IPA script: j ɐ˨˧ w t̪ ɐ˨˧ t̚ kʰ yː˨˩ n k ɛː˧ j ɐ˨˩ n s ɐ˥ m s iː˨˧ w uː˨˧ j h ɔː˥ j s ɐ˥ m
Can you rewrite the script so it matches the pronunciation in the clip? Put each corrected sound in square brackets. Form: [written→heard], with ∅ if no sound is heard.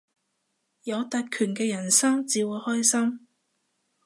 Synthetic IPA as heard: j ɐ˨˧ w t̪ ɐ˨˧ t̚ kʰ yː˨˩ n k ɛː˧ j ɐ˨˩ n s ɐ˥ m [s→t͡s] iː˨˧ w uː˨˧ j h ɔː˥ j s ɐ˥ m